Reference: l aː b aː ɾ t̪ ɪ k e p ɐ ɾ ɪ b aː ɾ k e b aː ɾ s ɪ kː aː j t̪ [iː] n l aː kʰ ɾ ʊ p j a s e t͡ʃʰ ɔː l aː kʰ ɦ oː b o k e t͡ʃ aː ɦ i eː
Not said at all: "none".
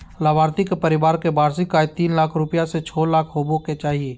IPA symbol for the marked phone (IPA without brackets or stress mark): iː